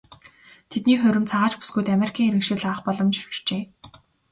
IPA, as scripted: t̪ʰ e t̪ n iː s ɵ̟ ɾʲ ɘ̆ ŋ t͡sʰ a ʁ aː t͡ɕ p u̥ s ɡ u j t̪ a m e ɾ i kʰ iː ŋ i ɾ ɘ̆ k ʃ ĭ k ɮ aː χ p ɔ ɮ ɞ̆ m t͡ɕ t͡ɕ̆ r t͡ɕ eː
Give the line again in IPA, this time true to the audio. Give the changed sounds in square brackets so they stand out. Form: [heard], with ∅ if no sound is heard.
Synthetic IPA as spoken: t̪ʰ e t̪ n iː [χ] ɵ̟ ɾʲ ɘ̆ [m] t͡sʰ a ʁ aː t͡ɕ p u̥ s ɡ u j t̪ a m e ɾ i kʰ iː ŋ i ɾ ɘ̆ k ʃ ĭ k ɮ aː χ p ɔ ɮ ɞ̆ m t͡ɕ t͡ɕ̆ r t͡ɕ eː